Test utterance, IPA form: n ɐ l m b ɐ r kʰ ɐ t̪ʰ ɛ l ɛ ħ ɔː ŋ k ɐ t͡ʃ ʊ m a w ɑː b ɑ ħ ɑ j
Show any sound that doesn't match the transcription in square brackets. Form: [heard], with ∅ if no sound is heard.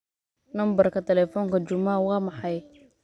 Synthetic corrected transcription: n ɐ [∅] m b ɐ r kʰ ɐ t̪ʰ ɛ l ɛ [f] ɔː ŋ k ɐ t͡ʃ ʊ m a w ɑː [m] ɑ ħ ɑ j